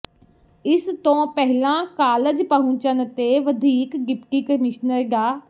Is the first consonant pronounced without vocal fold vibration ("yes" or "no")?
yes